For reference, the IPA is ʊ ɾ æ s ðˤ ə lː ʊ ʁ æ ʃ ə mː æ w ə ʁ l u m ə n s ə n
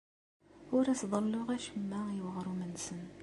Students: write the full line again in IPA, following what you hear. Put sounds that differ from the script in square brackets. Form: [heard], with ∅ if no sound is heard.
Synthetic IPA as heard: ʊ ɾ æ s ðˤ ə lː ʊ ʁ æ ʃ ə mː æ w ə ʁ [ɾ] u m ə n s ə n